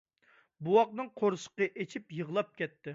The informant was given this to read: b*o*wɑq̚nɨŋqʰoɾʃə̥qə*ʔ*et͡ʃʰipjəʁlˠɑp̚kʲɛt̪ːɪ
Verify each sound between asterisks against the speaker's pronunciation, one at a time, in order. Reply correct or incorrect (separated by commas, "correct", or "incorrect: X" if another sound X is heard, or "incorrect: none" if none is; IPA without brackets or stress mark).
incorrect: u, correct